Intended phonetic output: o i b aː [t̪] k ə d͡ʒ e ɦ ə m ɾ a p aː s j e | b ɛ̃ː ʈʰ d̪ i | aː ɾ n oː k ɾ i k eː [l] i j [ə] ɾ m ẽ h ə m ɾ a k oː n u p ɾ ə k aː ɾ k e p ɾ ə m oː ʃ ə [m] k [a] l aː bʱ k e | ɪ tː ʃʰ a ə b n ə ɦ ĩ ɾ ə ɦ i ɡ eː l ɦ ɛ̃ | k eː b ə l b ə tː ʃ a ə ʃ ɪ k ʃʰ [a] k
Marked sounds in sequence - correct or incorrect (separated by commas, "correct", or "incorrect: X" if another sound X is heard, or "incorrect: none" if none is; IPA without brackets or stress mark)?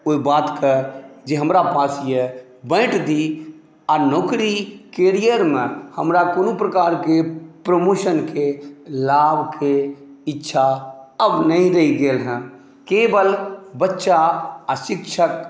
correct, incorrect: ɾ, correct, incorrect: n, incorrect: e, incorrect: ə